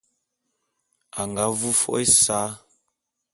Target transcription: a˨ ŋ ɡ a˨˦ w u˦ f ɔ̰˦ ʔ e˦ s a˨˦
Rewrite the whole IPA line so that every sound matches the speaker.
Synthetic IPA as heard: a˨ ŋ ɡ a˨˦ v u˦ f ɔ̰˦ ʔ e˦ s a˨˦